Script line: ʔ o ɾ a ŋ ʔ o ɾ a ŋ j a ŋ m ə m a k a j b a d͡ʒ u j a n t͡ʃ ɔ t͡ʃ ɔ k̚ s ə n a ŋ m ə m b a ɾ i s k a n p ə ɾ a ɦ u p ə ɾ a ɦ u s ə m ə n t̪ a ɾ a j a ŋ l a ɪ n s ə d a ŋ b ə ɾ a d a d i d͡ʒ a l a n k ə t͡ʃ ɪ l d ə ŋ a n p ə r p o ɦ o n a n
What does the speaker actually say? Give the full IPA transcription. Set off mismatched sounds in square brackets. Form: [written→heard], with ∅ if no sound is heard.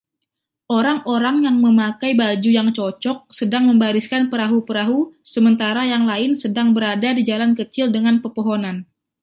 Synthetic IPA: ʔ o ɾ a ŋ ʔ o ɾ a ŋ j a ŋ m ə m a k a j b a d͡ʒ u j a [n→ŋ] t͡ʃ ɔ t͡ʃ ɔ k̚ s ə [n→d] a ŋ m ə m b a ɾ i s k a n p ə ɾ a ɦ u p ə ɾ a ɦ u s ə m ə n t̪ a ɾ a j a ŋ l a ɪ n s ə d a ŋ b ə ɾ a d a d i d͡ʒ a l a n k ə t͡ʃ ɪ l d ə ŋ a n p ə r p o ɦ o n a n